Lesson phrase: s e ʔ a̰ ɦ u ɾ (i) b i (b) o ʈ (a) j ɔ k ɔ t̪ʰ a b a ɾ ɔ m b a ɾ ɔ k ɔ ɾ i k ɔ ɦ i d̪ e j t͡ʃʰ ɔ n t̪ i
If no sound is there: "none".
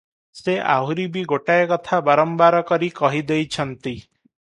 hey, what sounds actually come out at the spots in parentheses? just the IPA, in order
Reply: i, ɡ, a

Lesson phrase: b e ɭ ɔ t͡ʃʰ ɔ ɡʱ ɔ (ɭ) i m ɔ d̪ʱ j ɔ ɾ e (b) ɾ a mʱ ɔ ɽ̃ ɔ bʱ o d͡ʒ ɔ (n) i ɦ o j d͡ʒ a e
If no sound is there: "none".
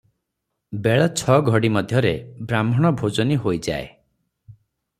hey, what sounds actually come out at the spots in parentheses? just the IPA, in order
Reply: ɽ, b, n

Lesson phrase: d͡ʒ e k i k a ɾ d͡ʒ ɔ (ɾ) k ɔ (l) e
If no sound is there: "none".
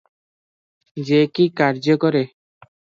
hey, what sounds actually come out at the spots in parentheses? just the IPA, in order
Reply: none, ɾ

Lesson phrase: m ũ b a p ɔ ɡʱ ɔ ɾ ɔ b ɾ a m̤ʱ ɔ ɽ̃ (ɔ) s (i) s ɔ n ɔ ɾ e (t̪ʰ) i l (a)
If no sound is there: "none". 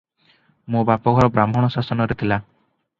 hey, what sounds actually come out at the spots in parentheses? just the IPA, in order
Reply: ɔ, a, t̪ʰ, a

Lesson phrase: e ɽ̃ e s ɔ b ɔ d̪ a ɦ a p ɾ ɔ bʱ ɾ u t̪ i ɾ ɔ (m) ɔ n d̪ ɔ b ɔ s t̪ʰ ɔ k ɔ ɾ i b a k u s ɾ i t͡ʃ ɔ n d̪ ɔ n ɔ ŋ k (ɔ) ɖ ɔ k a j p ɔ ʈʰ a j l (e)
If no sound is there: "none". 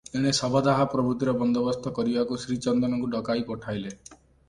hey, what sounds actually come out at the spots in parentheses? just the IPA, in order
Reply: b, u, e

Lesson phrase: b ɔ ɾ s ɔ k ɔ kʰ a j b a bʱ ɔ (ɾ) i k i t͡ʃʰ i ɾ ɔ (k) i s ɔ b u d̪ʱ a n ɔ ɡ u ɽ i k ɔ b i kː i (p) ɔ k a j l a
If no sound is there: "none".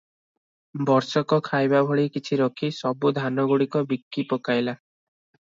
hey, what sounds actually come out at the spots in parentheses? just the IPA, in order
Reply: ɭ, kʰ, p

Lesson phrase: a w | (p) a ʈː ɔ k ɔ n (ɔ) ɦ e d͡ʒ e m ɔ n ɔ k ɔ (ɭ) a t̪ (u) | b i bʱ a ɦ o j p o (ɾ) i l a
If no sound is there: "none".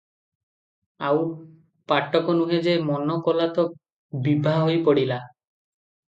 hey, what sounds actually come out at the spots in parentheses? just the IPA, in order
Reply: p, u, l, ɔ, ɽ

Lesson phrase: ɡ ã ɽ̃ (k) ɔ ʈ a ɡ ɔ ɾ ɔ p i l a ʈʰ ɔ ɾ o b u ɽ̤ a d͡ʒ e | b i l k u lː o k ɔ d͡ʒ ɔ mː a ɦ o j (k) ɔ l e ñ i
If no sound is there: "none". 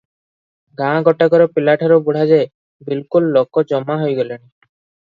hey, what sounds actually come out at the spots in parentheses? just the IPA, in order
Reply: ɡ, ɡ

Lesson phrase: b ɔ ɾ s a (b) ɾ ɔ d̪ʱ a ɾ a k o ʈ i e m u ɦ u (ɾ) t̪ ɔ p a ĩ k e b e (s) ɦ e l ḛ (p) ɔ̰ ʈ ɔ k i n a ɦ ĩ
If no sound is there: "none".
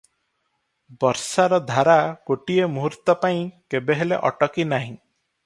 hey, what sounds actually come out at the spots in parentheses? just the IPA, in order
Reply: none, ɾ, none, ʔ

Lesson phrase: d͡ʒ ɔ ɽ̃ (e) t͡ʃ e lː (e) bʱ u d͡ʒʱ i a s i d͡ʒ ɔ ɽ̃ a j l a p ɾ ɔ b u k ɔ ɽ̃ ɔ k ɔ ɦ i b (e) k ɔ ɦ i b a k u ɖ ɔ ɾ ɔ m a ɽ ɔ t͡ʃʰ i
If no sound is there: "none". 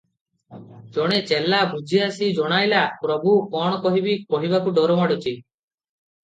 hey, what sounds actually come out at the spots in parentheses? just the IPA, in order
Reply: e, a, i

